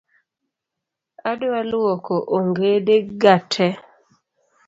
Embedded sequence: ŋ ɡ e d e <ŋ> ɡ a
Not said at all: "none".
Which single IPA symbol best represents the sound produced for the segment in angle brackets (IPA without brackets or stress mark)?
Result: none